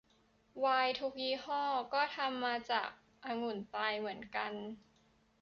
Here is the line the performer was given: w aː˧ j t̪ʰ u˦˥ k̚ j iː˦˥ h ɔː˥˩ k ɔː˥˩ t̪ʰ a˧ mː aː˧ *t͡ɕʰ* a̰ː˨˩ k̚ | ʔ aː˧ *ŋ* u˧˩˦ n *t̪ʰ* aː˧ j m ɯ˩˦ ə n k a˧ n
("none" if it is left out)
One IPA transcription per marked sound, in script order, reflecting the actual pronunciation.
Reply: t͡ɕ, ŋ, t̪

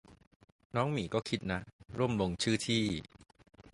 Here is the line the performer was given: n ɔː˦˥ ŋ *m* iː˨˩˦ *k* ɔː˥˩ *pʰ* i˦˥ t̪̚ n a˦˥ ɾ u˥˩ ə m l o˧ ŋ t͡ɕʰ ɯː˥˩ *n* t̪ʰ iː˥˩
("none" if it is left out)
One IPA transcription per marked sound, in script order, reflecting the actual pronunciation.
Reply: m, k, kʰ, none

